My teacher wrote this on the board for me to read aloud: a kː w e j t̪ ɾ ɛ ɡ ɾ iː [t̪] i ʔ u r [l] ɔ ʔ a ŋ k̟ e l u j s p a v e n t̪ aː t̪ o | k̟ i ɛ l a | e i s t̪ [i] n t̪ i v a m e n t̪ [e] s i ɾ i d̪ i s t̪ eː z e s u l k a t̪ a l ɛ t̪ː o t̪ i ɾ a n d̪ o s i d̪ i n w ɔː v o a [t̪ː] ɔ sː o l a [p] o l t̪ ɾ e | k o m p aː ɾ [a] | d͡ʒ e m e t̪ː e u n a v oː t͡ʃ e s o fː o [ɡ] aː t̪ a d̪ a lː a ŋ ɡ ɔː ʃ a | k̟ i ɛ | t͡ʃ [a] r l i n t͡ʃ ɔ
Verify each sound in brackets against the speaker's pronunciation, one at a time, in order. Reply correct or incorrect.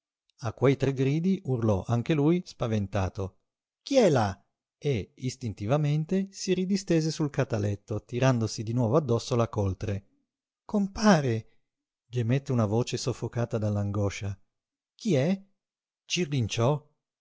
incorrect: d̪, correct, correct, correct, incorrect: d̪ː, incorrect: k, incorrect: e, incorrect: k, incorrect: i

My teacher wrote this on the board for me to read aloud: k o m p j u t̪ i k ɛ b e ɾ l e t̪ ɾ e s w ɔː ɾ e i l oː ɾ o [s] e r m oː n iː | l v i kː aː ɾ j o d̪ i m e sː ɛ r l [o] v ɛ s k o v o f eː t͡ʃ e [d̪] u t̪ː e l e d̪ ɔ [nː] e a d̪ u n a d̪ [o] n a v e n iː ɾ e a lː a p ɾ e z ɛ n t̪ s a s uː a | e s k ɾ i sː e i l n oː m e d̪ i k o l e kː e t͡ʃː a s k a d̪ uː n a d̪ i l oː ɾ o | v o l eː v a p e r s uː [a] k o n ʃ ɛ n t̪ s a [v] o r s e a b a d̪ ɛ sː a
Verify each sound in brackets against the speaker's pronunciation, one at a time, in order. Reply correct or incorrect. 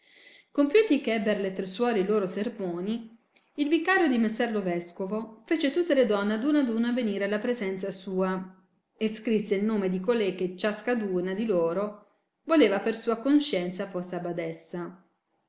correct, correct, incorrect: t̪, correct, incorrect: u, correct, incorrect: f

